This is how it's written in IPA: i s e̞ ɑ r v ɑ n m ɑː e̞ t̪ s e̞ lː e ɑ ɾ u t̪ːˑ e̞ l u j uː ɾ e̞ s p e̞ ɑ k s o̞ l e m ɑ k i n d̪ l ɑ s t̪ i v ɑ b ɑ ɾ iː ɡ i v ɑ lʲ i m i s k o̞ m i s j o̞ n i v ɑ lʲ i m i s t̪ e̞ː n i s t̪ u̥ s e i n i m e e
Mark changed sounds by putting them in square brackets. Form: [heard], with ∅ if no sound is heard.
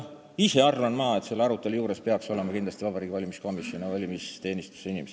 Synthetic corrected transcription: i s e̞ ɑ r v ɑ n m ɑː e̞ t̪ s e̞ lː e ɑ ɾ u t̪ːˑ e̞ l u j uː ɾ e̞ s p e̞ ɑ k s o̞ l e m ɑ k i n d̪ l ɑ s t̪ i v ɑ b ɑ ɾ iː ɡ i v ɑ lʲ i m i s k o̞ m i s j o̞ n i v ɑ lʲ i m i s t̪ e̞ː n i s t̪ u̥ s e i n i m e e